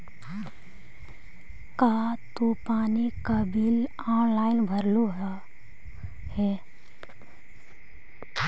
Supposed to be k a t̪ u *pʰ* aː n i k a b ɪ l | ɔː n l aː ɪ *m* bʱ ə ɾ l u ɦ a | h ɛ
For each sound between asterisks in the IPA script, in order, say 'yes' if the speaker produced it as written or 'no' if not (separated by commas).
no, no